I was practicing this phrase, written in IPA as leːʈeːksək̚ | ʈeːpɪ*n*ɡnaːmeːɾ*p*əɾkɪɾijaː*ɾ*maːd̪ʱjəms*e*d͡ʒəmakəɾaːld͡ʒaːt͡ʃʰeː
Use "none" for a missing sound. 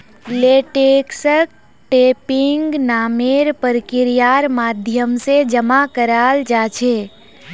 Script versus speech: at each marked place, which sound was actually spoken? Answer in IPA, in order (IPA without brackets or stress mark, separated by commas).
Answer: ŋ, p, ɾ, e